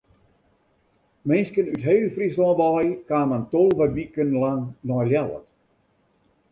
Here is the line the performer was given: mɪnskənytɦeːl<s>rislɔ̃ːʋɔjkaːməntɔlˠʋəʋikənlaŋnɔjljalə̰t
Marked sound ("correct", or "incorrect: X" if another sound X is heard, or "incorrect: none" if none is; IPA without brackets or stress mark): incorrect: f